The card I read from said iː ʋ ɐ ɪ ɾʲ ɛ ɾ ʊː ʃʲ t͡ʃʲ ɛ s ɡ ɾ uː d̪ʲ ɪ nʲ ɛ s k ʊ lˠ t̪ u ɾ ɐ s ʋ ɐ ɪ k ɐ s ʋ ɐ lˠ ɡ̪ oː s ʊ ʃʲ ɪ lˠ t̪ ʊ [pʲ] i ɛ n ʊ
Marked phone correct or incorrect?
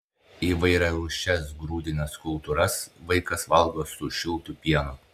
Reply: correct